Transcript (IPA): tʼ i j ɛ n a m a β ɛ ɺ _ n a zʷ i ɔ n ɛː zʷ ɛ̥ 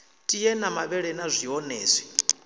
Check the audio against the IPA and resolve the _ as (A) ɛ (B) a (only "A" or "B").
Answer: A